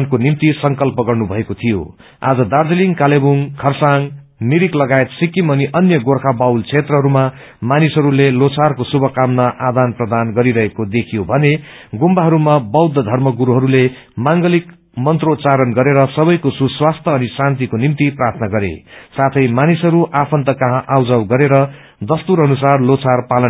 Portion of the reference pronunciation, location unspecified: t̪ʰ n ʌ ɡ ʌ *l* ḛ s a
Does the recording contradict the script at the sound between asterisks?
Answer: yes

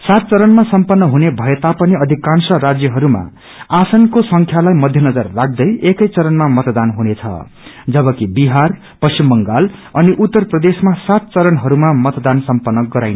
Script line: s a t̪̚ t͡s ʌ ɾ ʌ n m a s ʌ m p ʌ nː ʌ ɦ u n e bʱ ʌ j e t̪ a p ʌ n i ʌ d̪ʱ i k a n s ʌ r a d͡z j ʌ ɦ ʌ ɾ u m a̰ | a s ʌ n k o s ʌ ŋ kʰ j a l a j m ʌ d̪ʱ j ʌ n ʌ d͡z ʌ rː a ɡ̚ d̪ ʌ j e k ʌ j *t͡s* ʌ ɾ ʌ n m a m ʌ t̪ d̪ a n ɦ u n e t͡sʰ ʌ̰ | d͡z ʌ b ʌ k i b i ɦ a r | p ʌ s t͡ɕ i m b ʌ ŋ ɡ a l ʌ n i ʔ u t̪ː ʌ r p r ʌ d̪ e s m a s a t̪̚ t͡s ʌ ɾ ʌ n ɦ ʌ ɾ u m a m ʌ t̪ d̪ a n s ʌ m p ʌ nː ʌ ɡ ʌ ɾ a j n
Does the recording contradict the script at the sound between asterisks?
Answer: no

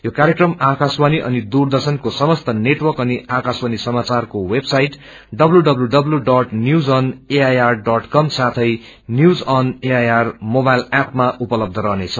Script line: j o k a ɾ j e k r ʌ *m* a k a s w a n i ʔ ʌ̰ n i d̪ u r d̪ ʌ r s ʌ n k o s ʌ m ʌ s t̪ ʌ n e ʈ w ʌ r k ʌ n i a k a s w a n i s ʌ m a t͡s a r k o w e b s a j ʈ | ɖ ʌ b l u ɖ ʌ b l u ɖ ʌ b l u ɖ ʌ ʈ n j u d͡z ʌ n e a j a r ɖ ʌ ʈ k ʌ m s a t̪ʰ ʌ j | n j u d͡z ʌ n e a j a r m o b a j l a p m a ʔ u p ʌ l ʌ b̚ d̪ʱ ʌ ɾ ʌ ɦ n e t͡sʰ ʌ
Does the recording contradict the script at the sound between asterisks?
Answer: no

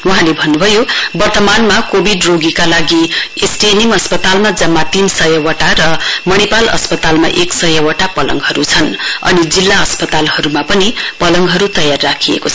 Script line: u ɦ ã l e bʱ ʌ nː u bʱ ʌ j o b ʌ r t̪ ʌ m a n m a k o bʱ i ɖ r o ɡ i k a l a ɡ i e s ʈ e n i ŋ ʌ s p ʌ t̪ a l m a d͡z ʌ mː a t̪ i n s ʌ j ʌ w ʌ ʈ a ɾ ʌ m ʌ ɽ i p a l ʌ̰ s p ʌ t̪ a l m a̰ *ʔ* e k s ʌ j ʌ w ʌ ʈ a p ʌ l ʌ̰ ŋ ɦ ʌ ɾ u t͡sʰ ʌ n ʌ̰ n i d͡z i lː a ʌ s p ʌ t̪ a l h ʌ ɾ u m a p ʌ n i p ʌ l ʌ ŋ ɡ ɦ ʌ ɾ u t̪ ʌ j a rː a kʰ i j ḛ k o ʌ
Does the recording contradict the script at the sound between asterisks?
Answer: no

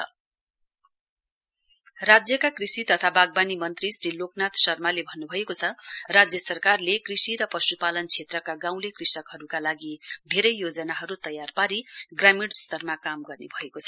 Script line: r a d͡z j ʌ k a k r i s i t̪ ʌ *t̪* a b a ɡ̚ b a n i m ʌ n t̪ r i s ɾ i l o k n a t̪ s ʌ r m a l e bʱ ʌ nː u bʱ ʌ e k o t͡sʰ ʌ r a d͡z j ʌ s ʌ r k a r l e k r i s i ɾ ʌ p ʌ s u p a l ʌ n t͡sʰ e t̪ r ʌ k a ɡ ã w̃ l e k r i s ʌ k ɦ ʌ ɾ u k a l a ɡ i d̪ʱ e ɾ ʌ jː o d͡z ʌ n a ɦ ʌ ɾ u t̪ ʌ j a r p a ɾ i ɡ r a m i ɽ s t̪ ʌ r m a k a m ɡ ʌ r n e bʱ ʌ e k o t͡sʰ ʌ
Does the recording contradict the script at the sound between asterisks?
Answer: yes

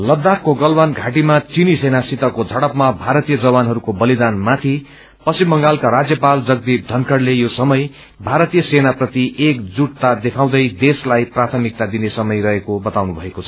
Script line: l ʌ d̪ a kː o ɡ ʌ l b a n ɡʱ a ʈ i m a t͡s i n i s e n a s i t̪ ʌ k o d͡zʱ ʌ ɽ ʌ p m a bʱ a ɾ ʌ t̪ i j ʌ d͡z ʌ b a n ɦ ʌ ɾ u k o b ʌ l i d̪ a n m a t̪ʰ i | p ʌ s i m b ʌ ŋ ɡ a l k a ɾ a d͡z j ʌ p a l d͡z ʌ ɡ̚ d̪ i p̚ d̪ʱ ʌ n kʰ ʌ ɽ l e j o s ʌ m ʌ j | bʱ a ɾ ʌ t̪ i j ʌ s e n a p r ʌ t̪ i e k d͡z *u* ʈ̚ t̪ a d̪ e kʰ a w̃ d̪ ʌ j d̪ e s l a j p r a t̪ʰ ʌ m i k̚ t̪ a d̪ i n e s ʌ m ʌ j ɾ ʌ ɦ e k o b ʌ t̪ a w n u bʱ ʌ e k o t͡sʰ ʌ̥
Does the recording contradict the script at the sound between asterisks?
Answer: no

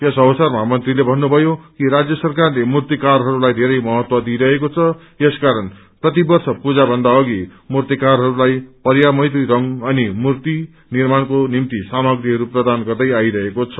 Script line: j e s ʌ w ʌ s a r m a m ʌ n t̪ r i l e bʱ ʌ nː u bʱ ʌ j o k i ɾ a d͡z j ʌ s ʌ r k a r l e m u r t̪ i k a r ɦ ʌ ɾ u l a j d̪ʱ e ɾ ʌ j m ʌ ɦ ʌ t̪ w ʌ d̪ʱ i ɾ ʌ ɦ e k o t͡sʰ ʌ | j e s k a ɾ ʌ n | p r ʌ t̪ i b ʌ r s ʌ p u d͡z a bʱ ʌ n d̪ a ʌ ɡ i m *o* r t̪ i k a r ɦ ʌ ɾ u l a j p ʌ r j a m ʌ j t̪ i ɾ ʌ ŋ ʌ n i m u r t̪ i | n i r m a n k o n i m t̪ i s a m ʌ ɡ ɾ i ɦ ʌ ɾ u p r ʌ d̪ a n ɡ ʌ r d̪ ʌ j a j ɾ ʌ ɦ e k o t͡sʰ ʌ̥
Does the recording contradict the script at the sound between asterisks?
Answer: yes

